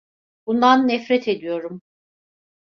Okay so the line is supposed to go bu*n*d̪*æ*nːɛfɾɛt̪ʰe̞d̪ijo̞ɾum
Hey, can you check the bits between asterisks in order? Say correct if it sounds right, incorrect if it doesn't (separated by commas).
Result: correct, incorrect